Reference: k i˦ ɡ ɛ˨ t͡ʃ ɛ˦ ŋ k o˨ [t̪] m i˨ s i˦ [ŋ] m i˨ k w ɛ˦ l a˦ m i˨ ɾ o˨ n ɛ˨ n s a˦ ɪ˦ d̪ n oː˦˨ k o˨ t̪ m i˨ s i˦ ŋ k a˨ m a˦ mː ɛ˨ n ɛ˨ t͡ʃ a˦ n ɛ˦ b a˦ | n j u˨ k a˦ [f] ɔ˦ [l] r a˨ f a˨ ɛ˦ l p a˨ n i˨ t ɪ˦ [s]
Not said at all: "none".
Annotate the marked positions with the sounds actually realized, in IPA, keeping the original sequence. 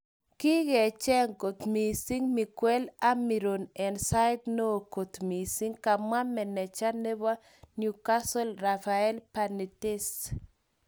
t̪, ŋ, s, l, s

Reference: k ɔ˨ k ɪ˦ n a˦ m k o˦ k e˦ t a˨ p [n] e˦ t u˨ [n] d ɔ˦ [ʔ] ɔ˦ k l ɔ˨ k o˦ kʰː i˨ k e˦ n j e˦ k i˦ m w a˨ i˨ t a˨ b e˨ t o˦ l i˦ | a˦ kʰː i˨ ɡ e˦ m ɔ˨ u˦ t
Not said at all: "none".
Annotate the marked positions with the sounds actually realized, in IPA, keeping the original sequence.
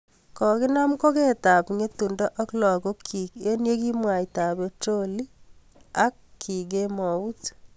ŋ, n, ʔ

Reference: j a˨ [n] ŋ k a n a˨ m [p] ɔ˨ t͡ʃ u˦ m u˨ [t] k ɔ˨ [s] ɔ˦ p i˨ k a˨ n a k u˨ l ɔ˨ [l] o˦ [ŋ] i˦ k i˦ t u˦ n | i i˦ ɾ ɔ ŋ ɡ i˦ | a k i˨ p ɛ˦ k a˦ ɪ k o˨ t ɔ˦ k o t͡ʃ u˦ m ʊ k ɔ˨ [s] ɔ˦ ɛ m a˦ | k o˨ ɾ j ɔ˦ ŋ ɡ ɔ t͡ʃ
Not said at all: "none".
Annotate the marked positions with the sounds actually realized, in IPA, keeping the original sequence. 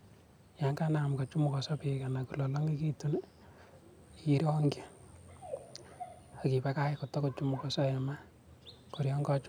none, k, none, s, l, ŋ, s

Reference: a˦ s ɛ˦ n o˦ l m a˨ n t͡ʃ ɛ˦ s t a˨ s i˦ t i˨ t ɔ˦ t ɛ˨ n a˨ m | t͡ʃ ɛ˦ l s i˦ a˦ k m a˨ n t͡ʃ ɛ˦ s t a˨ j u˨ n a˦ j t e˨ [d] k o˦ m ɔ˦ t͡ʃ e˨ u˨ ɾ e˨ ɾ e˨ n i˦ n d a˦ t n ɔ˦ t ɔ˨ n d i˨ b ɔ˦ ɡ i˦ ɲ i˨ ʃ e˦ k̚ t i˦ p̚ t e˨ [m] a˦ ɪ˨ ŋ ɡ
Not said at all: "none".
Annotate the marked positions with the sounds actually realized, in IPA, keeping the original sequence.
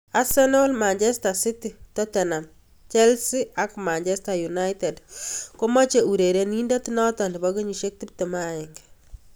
d, m

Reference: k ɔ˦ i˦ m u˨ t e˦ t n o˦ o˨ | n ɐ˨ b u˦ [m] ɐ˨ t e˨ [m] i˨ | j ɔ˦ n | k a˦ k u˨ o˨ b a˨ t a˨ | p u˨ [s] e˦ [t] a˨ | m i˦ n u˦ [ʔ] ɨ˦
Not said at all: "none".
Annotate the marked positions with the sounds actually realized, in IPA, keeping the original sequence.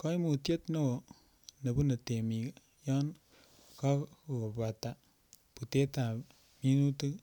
n, m, t, t, t

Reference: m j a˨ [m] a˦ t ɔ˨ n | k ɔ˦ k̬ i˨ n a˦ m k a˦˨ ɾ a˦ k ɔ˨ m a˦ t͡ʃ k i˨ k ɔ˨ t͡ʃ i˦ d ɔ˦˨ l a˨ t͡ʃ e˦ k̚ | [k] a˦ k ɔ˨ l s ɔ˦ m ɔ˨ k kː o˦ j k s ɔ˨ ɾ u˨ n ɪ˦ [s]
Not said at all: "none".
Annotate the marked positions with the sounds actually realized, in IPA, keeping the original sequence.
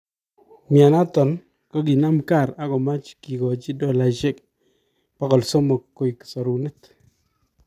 n, p, t

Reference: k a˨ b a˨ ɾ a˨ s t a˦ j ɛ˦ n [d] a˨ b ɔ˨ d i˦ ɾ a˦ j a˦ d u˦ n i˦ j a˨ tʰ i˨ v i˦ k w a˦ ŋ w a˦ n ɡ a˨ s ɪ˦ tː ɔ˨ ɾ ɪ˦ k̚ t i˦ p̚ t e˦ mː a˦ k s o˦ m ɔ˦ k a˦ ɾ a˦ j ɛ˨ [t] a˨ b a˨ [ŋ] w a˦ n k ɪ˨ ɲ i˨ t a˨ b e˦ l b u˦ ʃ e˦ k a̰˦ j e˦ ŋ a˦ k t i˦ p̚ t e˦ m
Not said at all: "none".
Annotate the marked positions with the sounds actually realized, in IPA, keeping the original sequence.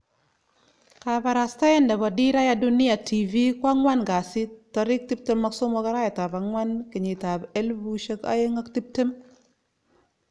d, t, ŋ

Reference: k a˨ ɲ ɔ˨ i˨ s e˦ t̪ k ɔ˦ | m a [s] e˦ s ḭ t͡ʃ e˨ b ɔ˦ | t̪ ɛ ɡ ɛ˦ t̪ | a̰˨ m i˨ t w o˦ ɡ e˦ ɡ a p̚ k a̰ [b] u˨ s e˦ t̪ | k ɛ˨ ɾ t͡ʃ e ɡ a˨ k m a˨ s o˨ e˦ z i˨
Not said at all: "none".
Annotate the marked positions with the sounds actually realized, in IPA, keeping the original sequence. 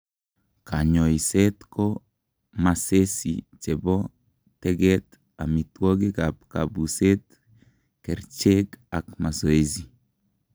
s, b

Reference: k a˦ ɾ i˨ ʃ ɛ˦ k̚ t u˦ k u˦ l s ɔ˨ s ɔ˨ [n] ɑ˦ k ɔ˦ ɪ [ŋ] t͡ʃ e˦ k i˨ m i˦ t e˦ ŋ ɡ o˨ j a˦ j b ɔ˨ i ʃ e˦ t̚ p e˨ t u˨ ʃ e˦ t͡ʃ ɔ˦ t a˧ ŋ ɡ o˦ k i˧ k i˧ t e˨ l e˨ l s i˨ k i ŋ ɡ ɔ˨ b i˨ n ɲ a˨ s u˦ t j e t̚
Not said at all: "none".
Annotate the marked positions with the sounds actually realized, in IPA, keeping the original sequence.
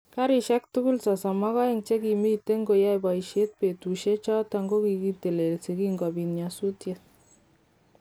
m, ŋ

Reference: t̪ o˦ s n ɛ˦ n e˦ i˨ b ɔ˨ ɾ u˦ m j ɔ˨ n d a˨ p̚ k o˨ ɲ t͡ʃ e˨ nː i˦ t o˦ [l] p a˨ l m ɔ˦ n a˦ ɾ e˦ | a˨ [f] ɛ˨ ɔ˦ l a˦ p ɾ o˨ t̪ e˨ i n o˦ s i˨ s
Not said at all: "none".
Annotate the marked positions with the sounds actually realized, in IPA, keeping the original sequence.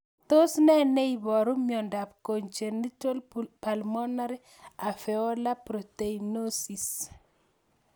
l, f

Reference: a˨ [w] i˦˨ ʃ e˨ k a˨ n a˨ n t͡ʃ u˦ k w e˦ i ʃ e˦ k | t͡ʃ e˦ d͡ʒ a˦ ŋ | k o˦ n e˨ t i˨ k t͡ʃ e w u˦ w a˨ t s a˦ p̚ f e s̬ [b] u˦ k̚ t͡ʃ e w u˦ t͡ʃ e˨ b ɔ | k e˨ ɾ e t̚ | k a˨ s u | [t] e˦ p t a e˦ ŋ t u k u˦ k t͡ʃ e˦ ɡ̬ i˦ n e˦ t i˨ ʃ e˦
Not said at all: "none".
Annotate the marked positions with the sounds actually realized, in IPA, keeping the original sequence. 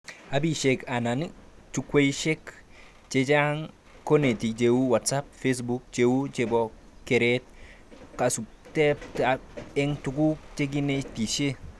b, b, t

